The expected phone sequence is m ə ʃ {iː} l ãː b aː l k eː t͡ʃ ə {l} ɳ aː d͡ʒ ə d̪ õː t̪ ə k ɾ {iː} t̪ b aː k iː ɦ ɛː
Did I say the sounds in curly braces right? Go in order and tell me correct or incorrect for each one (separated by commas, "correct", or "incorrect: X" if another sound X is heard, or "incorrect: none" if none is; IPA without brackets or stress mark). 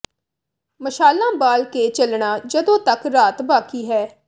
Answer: incorrect: aː, correct, incorrect: aː